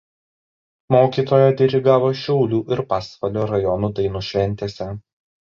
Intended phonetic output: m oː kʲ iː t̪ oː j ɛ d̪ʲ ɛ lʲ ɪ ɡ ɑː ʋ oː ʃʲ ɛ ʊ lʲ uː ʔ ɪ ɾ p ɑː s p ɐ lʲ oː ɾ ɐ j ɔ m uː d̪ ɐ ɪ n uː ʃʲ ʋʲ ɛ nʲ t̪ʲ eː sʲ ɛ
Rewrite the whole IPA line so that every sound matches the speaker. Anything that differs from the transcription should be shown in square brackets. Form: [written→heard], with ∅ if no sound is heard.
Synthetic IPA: m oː kʲ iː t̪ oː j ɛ d̪ʲ ɛ [lʲ→ɾʲ] ɪ ɡ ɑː ʋ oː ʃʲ ɛ ʊ lʲ uː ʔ ɪ ɾ p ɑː s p ɐ lʲ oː ɾ ɐ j ɔ [m→n] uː d̪ ɐ ɪ n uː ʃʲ ʋʲ ɛ nʲ t̪ʲ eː sʲ ɛ